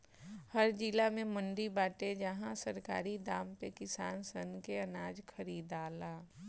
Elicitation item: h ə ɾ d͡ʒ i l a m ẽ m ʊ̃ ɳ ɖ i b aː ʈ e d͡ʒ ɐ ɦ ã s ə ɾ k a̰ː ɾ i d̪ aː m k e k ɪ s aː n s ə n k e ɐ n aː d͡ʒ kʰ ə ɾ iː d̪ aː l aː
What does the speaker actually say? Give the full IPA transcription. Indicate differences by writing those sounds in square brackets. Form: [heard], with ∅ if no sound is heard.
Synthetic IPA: h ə ɾ d͡ʒ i l a m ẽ m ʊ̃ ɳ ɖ i b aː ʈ e d͡ʒ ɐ ɦ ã s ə ɾ k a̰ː ɾ i d̪ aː m [p] e k ɪ s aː n s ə n k e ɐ n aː d͡ʒ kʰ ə ɾ iː d̪ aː l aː

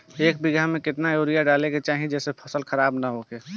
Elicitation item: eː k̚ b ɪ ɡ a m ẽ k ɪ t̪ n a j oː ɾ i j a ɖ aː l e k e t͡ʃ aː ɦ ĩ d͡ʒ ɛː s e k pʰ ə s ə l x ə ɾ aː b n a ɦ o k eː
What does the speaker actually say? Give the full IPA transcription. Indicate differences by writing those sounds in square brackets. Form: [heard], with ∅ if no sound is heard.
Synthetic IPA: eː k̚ b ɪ ɡ a m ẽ k ɪ t̪ n a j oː ɾ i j a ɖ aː l e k e t͡ʃ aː ɦ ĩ d͡ʒ ɛː s e [∅] pʰ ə s ə l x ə ɾ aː b n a ɦ o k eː

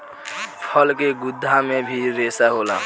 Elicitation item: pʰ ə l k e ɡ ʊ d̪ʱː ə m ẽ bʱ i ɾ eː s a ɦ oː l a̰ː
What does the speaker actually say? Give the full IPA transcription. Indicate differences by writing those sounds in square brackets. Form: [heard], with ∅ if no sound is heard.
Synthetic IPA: pʰ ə l k e ɡ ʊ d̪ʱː [a] m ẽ bʱ i ɾ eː s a ɦ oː l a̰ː

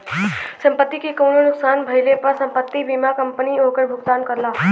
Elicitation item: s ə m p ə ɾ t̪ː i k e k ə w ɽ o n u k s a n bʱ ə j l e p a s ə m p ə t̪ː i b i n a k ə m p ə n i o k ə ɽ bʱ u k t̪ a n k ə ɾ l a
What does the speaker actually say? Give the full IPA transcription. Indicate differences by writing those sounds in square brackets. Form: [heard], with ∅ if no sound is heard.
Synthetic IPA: s ə m p ə [∅] t̪ː i k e k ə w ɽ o n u k s a n bʱ ə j l e p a s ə m p ə t̪ː i b i [m] a k ə m p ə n i o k ə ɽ bʱ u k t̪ a n k ə ɾ l a

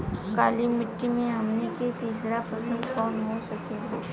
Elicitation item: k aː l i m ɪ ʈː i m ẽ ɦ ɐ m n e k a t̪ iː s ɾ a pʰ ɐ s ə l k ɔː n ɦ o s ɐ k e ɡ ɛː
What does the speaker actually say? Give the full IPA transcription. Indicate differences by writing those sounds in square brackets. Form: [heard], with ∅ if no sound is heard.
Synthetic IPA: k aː l i m ɪ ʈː i m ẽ ɦ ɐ m n e k [e] t̪ iː s ɾ a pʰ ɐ s ə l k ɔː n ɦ o s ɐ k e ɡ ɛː

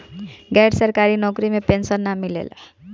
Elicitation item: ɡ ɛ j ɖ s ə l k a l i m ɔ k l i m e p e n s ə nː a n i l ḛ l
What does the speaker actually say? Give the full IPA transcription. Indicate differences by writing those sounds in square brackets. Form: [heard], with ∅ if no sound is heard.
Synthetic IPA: ɡ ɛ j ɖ s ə [ɾ] k a [ɾ] i [n] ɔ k [ɾ] i m e p e n s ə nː a [m] i l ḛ l

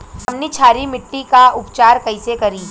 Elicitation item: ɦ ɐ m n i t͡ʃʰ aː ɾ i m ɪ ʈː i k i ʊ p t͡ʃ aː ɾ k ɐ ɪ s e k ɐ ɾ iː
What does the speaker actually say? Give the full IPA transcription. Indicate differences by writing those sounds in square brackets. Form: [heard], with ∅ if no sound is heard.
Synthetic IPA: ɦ ɐ m n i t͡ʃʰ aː ɾ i m ɪ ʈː i k [a] ʊ p t͡ʃ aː ɾ k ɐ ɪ s e k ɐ ɾ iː

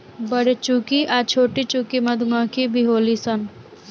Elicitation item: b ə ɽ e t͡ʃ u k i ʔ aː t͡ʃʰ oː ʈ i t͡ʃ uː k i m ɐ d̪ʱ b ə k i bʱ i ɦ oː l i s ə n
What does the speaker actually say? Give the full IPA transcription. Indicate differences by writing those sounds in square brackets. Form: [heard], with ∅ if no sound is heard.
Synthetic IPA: b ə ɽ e t͡ʃ u k i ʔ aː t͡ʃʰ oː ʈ i t͡ʃ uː k i m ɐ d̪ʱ [m] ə k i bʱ i ɦ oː l i s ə n

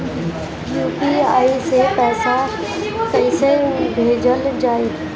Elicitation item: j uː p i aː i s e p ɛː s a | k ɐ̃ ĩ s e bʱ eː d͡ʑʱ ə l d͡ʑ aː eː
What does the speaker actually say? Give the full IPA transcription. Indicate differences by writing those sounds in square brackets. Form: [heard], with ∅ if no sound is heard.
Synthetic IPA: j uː p i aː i s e p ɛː s a | k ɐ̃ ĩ s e bʱ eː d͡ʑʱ ə l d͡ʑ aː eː

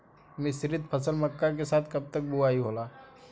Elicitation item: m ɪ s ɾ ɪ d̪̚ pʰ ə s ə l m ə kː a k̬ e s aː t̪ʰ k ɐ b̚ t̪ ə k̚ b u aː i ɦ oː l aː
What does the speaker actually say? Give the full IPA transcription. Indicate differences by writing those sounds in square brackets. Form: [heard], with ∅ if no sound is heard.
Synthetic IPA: m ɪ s ɾ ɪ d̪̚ pʰ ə s ə l m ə kː a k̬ e s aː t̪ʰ k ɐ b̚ t̪ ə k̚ b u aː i ɦ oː l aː

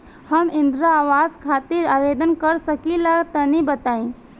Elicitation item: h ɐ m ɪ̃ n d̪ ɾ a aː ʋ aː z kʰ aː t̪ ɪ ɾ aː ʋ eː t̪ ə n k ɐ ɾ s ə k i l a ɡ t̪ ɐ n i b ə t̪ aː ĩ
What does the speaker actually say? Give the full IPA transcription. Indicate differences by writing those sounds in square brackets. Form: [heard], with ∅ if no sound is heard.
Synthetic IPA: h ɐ m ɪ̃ n d̪ ɾ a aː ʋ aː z kʰ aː t̪ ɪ ɾ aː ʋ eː [d̪] ə n k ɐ ɾ s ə k i l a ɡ t̪ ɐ n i b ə t̪ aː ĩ

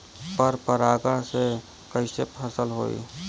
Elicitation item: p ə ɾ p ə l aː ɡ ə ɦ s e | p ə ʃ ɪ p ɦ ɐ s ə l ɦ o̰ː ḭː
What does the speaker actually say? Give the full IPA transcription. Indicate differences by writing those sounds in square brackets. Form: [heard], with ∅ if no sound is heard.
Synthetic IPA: p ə ɾ p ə [ɾ] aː ɡ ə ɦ s e | [k] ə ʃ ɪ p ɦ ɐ s ə l ɦ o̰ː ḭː

